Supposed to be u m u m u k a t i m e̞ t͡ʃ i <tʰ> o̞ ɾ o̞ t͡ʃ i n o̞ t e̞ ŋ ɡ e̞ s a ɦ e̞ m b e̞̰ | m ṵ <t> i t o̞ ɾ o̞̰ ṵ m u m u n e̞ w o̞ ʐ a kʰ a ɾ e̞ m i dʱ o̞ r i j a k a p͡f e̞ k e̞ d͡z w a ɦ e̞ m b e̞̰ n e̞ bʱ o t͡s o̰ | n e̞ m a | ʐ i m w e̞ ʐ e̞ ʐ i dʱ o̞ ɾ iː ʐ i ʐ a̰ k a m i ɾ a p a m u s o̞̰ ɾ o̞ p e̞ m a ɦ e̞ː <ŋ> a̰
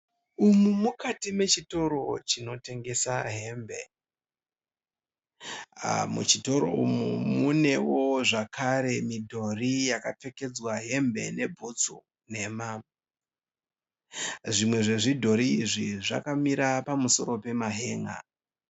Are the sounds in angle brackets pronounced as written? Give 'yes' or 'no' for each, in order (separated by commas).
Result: no, no, yes